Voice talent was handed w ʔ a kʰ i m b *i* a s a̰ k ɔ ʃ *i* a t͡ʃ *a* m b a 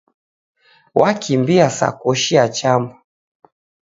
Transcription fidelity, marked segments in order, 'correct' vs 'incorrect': correct, correct, correct

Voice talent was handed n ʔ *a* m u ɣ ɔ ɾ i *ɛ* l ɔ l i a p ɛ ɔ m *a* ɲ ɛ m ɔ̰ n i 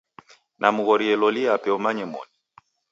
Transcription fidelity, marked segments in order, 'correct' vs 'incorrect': correct, correct, correct

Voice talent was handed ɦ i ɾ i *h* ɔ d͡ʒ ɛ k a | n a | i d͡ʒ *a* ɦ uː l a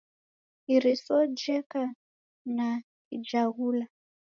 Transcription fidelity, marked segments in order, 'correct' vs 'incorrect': incorrect, correct

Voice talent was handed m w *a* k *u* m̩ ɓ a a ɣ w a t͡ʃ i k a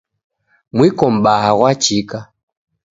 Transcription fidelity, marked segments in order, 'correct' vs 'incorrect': incorrect, incorrect

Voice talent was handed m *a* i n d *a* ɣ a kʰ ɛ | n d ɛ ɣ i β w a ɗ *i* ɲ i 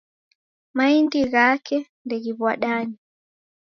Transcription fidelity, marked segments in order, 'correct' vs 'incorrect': correct, incorrect, incorrect

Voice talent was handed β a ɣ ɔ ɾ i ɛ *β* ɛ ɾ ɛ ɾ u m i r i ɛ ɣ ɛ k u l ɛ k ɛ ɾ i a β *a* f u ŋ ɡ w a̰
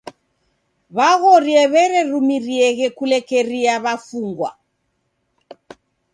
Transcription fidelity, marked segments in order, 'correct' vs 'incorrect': correct, correct

